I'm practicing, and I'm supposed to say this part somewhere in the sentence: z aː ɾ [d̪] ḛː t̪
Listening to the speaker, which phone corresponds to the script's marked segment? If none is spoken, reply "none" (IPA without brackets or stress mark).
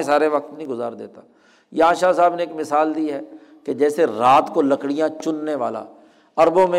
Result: d̪